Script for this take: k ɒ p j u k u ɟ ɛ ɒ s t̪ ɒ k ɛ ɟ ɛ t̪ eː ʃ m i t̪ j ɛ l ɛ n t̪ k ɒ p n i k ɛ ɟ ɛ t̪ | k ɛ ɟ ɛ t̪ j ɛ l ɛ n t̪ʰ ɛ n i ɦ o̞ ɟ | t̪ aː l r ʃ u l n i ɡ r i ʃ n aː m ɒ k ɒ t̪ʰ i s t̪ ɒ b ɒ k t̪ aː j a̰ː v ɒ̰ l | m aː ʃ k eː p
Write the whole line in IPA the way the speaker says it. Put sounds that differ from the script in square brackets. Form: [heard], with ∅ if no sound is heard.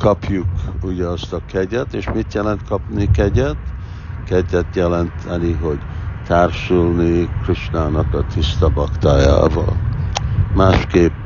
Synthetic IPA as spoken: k ɒ p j u k u ɟ ɛ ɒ s t̪ ɒ k ɛ ɟ ɛ t̪ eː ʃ m i t̪ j ɛ l ɛ n t̪ k ɒ p n i k ɛ ɟ ɛ t̪ | k ɛ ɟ ɛ t̪ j ɛ l ɛ n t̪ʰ ɛ n i ɦ o̞ ɟ | t̪ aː [∅] r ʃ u l n i [k] r i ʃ n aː [n] ɒ k ɒ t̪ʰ i s t̪ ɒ b ɒ k t̪ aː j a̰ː v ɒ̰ l | m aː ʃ k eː p